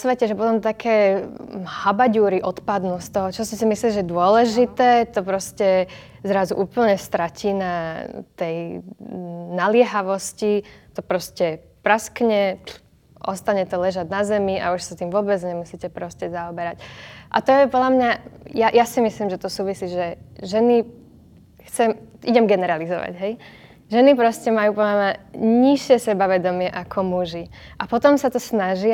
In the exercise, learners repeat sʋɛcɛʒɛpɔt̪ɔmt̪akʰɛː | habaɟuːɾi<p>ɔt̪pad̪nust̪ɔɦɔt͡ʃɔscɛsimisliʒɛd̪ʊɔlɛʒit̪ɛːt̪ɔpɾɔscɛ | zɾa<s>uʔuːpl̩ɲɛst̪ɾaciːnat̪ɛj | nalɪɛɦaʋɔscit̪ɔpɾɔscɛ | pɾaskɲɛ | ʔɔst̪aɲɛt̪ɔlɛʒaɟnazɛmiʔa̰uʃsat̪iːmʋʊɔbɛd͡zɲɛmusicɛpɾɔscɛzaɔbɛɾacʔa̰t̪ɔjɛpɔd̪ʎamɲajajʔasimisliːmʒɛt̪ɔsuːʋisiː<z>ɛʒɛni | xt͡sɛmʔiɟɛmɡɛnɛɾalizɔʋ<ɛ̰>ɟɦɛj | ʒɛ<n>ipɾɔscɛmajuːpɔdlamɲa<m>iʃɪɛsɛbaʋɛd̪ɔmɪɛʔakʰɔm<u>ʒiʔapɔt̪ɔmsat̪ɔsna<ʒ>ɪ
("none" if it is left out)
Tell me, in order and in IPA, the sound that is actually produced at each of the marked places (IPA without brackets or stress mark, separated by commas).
ʔ, z, ʒ, a̰, n, ɲ, u, ʒ